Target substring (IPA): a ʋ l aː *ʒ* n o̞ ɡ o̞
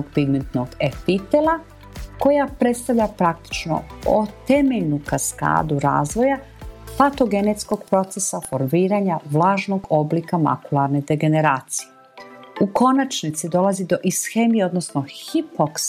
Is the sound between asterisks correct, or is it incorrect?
correct